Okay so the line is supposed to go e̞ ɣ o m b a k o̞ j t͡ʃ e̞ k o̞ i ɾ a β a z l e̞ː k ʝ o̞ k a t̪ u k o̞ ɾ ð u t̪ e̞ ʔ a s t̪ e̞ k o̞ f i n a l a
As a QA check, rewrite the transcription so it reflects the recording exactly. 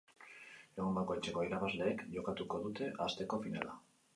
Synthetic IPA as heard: e̞ ɣ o m b a k o̞ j t͡ʃ e̞ k o̞ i ɾ a β a z l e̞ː k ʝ o̞ k a t̪ u k o̞ ð u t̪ e̞ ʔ a s t̪ e̞ k o̞ f i n a l a